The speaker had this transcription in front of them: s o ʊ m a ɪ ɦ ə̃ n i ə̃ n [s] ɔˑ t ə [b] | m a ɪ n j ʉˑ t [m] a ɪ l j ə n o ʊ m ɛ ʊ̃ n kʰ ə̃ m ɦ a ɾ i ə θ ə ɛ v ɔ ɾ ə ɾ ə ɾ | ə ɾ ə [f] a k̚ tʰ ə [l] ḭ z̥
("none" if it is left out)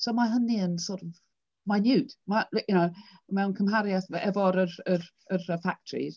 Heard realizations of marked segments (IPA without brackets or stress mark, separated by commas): s, v, m, f, ɹ